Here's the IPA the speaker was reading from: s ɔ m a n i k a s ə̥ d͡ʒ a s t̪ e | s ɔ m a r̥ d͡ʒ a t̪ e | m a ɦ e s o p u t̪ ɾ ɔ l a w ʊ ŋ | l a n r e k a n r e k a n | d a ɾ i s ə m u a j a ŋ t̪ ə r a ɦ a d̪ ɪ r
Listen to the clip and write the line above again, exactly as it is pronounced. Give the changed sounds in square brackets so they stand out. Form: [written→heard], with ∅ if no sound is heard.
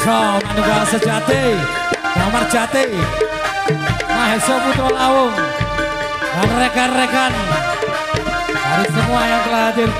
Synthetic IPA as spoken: s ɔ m a n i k a s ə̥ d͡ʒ a [s→∅] t̪ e | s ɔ m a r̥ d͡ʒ a t̪ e | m a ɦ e s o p u t̪ ɾ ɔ l a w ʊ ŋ | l a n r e k a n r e k a n | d a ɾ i s ə m u a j a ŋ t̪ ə [r→l] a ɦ a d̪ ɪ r